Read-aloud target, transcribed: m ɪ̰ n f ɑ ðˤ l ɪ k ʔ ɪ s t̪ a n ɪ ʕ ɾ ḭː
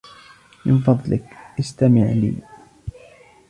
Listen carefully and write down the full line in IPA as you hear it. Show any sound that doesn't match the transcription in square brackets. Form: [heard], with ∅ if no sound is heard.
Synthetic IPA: m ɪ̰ n f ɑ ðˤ l ɪ k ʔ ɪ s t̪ a [m] ɪ ʕ [l] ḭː